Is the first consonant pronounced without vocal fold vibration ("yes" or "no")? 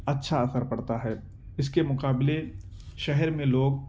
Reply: yes